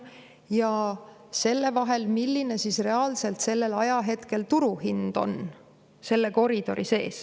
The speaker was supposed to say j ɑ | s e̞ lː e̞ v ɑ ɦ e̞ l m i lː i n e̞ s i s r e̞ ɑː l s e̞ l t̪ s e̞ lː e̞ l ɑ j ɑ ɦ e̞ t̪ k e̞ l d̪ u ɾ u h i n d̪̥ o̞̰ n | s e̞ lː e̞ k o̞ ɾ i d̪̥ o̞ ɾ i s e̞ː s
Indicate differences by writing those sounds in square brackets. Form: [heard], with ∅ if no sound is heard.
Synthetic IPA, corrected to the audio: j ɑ | s e̞ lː e̞ v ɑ ɦ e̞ l m i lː i n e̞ s i s r e̞ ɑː l s e̞ l t̪ s e̞ lː e̞ l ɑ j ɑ ɦ e̞ t̪ k e̞ l [t̪] u ɾ u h i n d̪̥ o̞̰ n | s e̞ lː e̞ k o̞ ɾ i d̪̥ o̞ ɾ i s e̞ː s